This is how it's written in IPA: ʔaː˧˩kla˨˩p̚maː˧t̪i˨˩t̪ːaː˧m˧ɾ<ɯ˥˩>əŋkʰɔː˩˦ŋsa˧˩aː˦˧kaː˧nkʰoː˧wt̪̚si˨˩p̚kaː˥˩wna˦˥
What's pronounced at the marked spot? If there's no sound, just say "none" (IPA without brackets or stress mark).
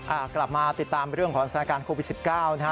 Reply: ɯ˥˩